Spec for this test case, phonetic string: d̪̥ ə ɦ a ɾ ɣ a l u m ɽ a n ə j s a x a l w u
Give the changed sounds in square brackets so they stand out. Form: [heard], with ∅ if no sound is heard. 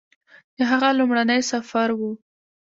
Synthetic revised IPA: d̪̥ ə ɦ a [∅] ɣ a l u m ɽ a n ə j s a [f] a [ɾ] w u